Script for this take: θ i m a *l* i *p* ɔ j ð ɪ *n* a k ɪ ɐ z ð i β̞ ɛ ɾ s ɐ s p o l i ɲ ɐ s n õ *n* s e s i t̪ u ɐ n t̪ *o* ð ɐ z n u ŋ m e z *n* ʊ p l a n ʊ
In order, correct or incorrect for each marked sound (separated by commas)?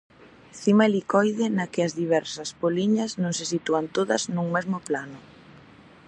correct, incorrect, correct, incorrect, correct, incorrect